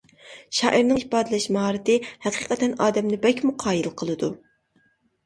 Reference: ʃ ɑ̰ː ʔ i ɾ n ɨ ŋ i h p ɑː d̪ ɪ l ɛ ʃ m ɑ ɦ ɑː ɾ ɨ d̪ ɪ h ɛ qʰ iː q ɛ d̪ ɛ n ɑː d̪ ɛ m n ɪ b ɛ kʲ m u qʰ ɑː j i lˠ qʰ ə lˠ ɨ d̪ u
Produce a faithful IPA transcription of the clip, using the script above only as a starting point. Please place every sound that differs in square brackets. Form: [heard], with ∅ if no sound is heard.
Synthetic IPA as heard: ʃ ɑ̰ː ʔ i ɾ n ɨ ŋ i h p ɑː d̪ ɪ l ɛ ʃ m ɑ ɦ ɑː ɾ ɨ [t̪] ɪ h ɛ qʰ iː q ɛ [t̪] ɛ n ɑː d̪ ɛ m n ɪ b ɛ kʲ m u qʰ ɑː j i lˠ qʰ ə lˠ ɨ d̪ u